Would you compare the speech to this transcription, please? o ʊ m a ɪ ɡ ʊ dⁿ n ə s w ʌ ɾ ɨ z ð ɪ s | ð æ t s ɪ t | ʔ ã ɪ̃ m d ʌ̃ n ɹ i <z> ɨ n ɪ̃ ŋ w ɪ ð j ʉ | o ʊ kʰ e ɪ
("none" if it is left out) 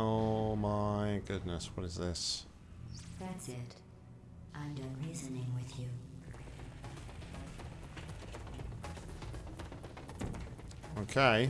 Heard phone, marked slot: z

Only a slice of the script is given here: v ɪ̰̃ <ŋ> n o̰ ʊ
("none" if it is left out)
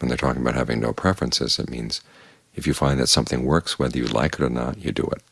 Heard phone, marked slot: ŋ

